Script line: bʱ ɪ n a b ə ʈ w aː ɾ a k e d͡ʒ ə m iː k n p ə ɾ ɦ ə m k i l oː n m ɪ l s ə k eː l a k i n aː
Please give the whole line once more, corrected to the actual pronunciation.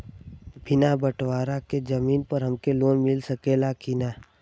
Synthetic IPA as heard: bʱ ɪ n a b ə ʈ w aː ɾ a k e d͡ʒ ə m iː n p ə ɾ ɦ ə m k e l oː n m ɪ l s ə k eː l a k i n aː